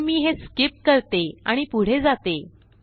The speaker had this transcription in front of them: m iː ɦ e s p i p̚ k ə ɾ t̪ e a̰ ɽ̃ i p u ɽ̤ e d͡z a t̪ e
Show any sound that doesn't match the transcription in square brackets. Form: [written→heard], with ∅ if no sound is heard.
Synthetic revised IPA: m iː ɦ e s [p→k] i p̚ k ə ɾ t̪ e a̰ ɽ̃ i p u ɽ̤ e d͡z a t̪ e